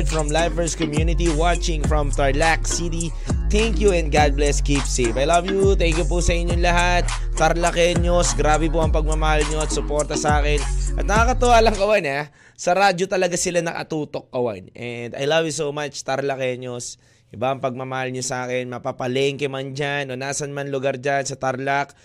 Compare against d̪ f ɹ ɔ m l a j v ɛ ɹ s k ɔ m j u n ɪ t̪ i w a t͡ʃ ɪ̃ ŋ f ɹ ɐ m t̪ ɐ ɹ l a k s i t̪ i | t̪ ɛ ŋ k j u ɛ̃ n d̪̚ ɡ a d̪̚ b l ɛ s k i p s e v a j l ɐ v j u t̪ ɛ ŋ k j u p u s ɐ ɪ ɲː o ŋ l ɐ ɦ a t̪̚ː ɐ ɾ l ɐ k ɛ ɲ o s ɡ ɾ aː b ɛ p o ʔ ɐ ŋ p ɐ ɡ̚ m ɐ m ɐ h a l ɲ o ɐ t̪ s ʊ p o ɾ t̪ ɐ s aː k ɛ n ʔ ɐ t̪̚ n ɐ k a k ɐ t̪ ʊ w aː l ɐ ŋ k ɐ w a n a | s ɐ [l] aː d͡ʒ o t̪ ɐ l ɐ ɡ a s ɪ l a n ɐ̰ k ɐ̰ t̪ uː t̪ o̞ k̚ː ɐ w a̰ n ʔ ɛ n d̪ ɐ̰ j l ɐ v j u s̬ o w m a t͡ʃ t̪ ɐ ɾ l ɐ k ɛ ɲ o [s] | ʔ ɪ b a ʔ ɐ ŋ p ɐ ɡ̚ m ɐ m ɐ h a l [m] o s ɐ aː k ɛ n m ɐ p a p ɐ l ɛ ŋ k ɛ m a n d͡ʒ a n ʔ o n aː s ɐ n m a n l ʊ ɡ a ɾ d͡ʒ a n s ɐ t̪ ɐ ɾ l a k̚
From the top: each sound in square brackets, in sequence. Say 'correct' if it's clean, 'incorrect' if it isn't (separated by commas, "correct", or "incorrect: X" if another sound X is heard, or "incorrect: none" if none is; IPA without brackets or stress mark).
incorrect: ɾ, correct, incorrect: ɲ